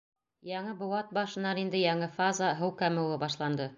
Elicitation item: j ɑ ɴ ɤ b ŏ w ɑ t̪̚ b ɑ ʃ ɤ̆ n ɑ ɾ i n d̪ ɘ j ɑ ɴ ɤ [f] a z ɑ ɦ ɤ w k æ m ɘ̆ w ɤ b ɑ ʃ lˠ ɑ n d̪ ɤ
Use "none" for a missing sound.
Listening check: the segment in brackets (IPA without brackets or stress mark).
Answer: f